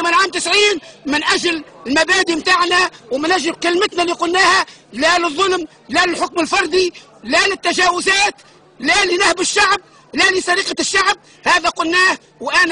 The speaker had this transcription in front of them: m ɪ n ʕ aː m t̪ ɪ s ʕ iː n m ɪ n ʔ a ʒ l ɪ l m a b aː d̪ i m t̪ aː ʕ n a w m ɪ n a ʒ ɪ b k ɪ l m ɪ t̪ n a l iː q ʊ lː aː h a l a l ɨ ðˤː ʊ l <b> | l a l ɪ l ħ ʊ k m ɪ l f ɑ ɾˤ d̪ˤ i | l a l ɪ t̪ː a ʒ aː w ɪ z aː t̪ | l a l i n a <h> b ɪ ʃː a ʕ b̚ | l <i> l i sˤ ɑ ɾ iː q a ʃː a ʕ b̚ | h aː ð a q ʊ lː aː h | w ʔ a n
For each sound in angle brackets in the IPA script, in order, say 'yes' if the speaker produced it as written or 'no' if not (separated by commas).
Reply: no, yes, no